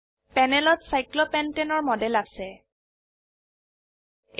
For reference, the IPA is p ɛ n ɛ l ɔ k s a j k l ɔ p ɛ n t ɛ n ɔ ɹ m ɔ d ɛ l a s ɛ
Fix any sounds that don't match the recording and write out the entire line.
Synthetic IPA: p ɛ n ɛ l ɔ t s a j k l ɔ p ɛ n t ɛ n ɔ ɹ m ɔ d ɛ l a s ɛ